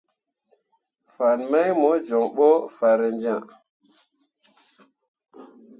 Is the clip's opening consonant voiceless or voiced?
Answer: voiceless